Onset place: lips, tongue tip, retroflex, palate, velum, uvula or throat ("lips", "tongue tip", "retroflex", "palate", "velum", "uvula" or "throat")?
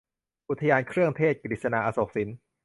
throat